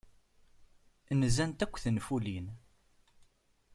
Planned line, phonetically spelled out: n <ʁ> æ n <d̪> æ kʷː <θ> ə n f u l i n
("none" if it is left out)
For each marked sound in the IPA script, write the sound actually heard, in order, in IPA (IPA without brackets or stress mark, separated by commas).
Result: z, t̪, θ